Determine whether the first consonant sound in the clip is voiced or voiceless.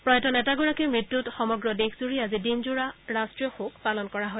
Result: voiceless